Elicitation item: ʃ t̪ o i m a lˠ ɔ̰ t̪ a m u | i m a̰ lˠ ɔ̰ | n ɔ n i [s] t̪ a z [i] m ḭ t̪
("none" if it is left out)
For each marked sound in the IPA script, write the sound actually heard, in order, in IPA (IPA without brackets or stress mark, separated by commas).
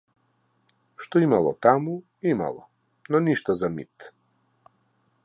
ʃ, a